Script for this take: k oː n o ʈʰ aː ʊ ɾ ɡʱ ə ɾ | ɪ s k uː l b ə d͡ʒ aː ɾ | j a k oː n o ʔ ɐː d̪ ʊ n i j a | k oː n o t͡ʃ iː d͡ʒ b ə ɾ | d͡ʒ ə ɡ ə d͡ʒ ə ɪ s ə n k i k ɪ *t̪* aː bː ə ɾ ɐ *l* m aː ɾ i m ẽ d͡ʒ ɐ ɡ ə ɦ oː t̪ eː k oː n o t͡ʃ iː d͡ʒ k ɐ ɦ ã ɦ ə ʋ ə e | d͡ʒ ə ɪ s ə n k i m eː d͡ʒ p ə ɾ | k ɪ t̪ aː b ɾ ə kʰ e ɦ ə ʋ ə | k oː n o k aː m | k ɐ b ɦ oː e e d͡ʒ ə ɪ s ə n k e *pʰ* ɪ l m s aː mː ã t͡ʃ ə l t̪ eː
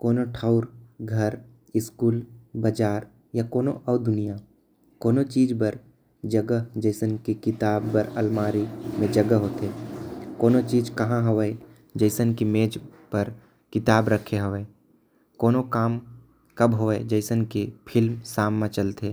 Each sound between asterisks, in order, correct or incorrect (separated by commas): correct, correct, correct